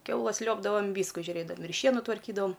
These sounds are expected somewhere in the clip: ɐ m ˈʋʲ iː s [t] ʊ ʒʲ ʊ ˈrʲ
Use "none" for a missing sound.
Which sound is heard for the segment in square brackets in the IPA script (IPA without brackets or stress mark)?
k